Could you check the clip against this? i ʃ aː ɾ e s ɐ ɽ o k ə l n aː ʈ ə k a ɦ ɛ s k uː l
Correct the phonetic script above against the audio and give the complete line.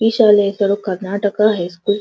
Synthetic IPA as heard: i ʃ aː l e s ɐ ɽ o k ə ɾ n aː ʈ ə k a ɦ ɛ s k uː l